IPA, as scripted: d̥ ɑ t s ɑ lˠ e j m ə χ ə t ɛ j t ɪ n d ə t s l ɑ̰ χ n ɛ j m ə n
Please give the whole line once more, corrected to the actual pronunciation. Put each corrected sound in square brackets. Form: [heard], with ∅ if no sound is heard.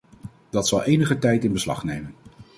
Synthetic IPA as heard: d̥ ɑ t s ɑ lˠ e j [n] ə χ ə t ɛ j t ɪ n [b] ə [∅] s l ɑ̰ χ n [e] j m ə n